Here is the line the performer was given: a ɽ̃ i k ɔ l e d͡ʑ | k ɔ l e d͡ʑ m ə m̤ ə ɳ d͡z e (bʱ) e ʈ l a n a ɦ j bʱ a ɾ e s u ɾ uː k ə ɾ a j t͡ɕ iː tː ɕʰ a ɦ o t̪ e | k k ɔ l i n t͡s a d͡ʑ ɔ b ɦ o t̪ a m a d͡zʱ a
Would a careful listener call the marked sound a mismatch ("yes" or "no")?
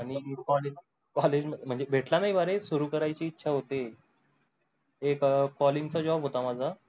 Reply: no